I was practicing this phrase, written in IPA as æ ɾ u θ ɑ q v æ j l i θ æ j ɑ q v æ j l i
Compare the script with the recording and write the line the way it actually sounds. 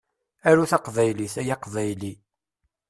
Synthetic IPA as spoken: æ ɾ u θ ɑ q v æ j l i θ æ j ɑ q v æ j l i